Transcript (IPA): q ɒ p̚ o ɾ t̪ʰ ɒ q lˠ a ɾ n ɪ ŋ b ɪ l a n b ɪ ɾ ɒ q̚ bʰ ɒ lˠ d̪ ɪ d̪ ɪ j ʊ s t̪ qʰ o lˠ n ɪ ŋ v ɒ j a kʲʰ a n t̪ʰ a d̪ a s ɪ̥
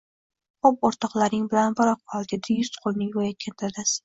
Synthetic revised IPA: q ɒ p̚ o ɾ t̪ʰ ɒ q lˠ a ɾ n ɪ ŋ b ɪ l a n b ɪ ɾ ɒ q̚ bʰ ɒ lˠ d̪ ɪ d̪ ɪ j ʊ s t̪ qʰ o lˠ n ɪ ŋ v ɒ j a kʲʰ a n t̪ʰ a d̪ a s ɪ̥